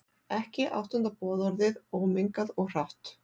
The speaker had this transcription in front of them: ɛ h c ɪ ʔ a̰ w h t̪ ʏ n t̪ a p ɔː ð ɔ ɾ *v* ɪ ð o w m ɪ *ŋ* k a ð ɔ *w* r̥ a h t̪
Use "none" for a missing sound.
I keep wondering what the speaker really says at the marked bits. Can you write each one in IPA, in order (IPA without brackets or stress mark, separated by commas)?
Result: ð, ŋ, ɣ